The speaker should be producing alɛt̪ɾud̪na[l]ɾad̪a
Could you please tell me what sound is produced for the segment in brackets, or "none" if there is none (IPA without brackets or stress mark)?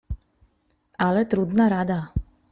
none